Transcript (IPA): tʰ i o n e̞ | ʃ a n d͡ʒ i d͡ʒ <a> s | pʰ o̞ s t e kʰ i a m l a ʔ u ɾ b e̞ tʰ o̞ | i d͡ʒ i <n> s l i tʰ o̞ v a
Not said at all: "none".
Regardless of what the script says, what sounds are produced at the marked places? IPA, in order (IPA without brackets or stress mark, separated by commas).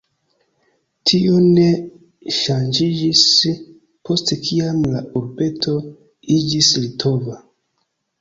i, none